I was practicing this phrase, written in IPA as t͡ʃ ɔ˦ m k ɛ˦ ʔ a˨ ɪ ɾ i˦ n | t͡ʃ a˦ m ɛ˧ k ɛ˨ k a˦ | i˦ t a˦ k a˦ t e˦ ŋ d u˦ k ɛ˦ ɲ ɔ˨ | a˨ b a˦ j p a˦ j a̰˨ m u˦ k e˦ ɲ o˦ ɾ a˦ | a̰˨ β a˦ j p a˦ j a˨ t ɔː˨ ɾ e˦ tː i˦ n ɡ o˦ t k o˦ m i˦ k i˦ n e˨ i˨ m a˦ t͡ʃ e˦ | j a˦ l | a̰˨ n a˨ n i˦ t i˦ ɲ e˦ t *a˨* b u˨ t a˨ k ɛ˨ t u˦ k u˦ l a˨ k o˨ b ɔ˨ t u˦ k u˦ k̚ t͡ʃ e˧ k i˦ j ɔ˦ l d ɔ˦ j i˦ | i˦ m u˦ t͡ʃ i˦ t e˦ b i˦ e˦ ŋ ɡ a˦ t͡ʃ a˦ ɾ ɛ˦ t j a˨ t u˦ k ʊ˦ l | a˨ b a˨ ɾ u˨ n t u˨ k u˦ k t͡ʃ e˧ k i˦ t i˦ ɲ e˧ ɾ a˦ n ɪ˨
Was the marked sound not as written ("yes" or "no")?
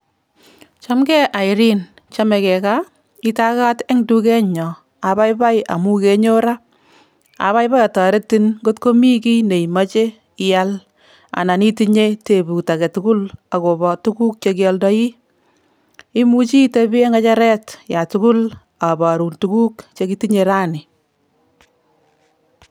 yes